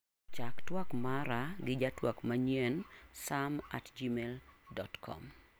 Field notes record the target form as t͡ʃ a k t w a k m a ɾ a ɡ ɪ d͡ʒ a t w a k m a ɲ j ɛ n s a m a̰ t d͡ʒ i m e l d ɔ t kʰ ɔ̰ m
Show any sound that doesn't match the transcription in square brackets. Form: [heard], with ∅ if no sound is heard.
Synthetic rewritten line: t͡ʃ a k t w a k m a ɾ a ɡ ɪ d͡ʒ a t w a k m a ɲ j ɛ n s a m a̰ t d͡ʒ i m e l d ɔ t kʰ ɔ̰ m